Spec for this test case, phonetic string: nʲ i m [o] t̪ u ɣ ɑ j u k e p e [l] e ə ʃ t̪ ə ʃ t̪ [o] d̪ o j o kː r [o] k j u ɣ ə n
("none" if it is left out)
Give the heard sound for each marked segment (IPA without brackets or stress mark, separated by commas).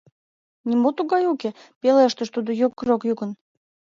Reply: o, l, u, o